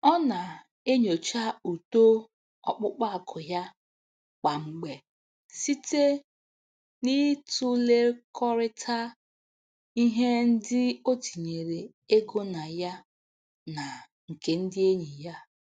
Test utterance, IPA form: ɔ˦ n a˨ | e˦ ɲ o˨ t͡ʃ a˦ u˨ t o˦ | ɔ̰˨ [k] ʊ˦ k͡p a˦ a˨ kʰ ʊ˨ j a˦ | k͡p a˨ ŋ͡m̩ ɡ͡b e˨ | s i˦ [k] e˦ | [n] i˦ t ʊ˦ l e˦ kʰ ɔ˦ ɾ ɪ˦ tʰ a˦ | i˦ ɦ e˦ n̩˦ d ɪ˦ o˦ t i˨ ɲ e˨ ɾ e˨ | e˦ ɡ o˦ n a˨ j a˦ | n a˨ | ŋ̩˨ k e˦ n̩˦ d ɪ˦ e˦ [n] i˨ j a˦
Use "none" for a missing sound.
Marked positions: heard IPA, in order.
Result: k͡p, t, n, ɲ

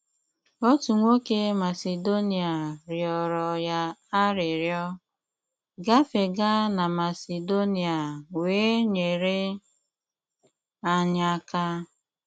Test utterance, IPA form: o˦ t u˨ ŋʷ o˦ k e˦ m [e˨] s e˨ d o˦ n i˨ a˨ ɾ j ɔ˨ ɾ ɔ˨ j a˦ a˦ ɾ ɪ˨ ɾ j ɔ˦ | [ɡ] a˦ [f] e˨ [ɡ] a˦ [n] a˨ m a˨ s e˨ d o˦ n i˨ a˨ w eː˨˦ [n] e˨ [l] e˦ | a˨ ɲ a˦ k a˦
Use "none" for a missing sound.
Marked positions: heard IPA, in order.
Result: a˨, ɡ, f, ɡ, n, ɲ, ɾ

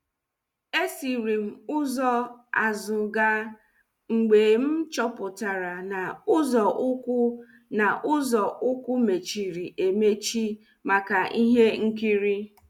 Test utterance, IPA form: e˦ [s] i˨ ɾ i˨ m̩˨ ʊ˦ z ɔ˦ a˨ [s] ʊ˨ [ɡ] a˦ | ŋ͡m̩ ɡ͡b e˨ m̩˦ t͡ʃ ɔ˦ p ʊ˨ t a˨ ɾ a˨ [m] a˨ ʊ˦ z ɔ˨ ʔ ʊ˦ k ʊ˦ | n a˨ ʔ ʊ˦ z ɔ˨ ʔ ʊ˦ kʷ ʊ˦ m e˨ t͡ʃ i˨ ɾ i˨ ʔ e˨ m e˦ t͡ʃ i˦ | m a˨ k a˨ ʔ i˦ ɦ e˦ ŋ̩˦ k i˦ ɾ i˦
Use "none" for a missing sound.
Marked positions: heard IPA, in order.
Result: s, z, ɡ, n

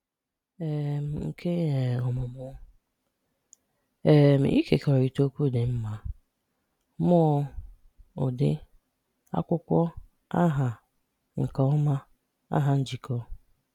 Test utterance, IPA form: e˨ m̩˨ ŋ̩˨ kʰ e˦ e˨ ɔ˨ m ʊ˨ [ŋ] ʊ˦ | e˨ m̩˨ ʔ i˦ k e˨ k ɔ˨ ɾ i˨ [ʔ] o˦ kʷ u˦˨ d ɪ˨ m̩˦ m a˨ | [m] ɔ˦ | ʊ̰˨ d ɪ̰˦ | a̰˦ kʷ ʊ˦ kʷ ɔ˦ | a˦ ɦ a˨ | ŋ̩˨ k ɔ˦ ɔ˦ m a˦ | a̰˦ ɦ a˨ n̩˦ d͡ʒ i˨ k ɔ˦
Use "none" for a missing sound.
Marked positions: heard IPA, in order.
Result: m, t, m

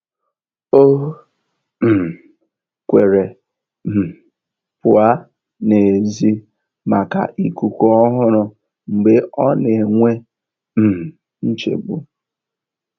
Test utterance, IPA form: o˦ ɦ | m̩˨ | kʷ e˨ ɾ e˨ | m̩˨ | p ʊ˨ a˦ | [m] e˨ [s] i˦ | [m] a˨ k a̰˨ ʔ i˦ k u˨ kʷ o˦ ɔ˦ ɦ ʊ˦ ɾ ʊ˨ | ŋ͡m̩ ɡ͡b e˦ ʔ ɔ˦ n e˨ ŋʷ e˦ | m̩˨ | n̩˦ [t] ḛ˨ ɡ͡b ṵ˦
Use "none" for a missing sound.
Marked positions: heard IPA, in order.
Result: n, z, m, t͡ʃ

